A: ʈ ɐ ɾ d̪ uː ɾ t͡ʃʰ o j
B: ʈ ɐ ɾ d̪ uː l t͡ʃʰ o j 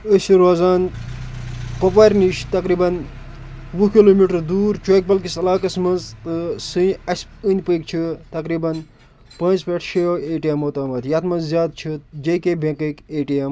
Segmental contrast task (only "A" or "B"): A